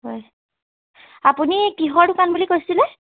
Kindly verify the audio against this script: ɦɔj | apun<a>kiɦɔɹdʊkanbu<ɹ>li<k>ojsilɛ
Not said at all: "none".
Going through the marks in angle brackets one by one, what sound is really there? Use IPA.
i, none, k

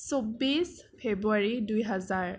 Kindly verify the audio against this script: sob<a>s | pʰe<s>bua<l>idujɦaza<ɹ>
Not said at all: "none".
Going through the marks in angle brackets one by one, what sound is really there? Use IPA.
i, none, ɹ, ɹ

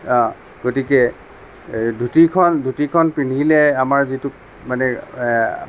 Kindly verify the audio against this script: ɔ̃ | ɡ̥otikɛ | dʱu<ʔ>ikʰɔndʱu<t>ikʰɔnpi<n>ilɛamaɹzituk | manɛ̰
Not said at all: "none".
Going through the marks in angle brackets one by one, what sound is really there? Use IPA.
t, t, n

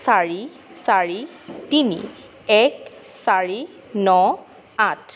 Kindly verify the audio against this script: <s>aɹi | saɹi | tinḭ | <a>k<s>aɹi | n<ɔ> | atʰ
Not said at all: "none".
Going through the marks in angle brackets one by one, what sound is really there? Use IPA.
s, ɛ, s, ɔ

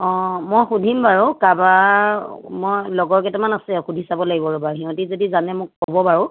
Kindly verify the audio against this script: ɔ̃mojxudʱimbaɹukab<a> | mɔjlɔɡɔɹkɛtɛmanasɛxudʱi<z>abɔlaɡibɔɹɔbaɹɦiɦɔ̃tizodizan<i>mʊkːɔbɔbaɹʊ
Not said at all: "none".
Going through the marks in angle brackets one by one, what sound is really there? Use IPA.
a, s, ɛ

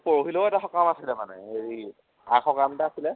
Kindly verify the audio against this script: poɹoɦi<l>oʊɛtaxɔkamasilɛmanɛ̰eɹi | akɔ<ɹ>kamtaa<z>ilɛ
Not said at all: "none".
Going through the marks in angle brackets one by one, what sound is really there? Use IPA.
l, none, s

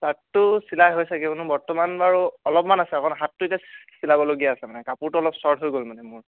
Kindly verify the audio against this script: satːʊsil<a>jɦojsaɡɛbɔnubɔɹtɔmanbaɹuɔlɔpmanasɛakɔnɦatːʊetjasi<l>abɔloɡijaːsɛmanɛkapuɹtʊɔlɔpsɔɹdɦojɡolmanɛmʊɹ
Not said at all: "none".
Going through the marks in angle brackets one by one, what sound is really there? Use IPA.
a, l

